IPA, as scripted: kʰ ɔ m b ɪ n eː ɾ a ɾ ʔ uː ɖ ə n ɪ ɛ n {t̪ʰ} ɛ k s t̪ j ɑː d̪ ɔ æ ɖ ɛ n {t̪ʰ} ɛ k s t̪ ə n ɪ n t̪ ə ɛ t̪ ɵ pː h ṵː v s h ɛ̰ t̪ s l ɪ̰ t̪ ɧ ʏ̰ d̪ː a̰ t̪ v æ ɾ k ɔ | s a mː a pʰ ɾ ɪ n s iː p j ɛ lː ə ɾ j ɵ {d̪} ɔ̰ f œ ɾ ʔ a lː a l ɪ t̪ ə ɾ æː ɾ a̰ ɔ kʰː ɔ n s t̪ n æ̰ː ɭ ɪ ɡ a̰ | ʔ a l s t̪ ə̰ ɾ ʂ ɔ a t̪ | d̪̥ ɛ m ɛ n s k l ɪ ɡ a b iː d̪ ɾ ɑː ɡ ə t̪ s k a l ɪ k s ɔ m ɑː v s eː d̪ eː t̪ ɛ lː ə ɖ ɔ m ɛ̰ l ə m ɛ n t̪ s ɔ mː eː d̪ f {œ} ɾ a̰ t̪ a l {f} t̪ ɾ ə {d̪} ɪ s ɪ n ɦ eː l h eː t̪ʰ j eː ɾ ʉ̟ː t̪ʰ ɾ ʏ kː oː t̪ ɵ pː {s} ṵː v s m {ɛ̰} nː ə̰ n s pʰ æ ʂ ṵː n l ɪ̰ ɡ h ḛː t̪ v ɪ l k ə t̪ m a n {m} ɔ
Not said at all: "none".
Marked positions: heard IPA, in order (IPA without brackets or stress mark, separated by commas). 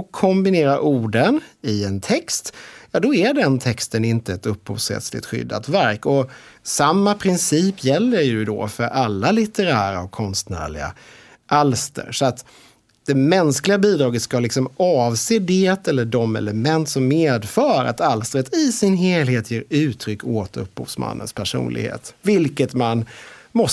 t̪ʰ, t̪ʰ, d̪, œː, s, t̪, h, a̰, m